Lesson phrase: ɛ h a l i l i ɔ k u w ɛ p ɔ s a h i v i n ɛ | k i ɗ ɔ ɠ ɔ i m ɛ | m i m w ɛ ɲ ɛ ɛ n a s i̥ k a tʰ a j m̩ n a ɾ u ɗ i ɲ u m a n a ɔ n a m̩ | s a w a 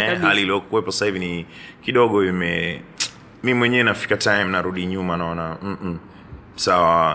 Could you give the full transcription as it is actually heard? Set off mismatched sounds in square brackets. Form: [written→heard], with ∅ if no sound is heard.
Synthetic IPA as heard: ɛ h a l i l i ɔ k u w ɛ p ɔ s a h i v i n [ɛ→i] | k i ɗ ɔ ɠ ɔ i m ɛ | m i m w ɛ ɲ ɛ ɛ n a [s→f] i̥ k a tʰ a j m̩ n a ɾ u ɗ i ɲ u m a n a ɔ n a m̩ | s a w a